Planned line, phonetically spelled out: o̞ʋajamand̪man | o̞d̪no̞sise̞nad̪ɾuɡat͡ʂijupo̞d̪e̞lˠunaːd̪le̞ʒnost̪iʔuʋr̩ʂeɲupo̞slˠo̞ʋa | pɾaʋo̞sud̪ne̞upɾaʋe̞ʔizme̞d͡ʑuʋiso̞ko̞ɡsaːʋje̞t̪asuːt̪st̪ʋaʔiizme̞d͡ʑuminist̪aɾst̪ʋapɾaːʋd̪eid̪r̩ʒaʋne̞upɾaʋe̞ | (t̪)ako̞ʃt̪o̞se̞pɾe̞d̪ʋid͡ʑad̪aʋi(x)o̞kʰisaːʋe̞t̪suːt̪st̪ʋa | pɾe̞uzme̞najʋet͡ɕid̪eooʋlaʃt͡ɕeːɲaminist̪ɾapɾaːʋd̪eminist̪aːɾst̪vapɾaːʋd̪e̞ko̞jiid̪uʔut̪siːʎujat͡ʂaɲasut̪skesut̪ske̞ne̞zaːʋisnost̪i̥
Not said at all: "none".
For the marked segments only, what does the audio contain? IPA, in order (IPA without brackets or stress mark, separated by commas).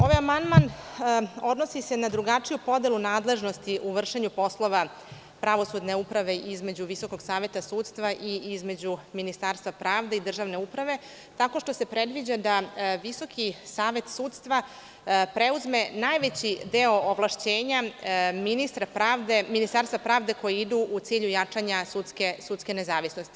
t̪, s